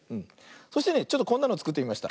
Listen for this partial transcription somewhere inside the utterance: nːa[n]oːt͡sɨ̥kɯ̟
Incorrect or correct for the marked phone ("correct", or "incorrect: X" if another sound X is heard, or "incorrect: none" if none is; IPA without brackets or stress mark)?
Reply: correct